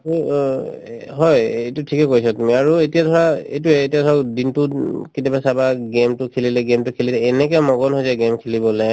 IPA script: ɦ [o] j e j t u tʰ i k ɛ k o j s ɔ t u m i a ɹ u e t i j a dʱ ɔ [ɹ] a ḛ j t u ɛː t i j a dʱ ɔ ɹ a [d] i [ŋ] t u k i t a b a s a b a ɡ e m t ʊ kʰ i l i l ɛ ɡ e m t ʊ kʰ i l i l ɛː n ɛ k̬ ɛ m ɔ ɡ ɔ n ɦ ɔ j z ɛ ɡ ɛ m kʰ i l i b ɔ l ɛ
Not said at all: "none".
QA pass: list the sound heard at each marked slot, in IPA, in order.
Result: ɔ, ɹ, d, n

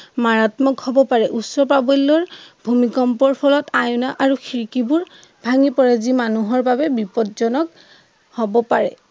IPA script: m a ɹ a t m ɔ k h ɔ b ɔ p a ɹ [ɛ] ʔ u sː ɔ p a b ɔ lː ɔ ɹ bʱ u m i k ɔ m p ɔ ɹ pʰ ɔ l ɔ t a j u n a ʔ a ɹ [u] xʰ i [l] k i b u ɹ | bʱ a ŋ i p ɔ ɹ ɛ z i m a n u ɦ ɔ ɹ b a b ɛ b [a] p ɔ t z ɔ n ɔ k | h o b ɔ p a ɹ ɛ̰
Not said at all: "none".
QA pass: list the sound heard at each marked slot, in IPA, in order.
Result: ɛ, u, ɹ, i

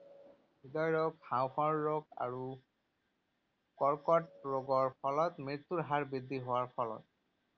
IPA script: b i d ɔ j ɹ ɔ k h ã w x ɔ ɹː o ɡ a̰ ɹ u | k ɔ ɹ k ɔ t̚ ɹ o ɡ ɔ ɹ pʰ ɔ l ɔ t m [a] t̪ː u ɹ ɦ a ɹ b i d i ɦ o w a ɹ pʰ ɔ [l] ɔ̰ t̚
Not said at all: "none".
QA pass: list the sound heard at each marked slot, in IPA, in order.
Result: i, l

